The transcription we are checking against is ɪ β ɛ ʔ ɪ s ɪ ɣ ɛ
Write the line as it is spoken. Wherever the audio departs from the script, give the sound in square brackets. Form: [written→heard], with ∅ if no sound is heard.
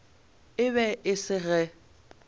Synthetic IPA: ɪ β ɛ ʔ ɪ s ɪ ɣ ɛ